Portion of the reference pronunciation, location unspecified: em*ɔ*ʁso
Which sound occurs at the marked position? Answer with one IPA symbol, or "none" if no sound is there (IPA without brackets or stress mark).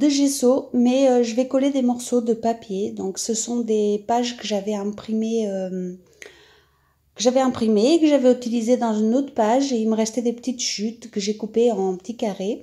ɔ